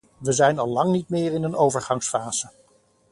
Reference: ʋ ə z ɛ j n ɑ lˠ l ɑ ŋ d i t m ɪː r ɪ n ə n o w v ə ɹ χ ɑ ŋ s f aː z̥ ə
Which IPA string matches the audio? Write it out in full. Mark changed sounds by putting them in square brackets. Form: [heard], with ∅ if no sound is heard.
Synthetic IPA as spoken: ʋ ə z ɛ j n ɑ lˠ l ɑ ŋ [n] i t m ɪː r ɪ n ə n o w v ə ɹ χ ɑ ŋ s f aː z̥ ə